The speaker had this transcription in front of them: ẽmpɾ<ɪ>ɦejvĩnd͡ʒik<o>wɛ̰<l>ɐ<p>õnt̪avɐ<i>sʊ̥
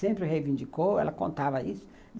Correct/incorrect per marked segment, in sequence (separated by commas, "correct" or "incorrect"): correct, correct, correct, incorrect, correct